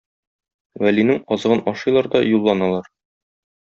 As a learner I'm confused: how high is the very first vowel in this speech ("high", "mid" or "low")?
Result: low